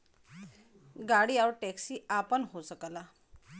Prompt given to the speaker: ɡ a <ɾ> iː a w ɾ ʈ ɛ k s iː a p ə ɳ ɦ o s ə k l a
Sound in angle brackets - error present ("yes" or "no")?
yes